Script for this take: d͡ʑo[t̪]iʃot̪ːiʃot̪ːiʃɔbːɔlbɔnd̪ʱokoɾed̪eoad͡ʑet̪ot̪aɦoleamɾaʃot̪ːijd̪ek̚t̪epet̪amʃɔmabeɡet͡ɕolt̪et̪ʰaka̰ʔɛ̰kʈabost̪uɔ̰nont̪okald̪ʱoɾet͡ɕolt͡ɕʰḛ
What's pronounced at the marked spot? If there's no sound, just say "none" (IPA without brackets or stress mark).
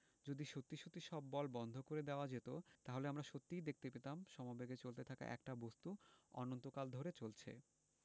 d̪